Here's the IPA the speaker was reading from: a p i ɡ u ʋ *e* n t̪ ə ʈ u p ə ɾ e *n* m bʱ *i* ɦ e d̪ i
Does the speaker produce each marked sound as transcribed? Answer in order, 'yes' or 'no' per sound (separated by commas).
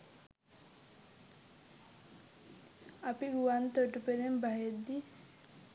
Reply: no, no, no